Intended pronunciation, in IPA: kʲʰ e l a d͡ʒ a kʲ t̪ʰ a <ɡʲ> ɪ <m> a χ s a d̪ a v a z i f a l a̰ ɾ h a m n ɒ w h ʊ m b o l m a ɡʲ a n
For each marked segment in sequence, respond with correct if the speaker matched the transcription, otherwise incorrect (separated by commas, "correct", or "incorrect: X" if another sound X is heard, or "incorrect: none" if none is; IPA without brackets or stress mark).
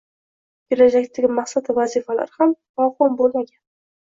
correct, correct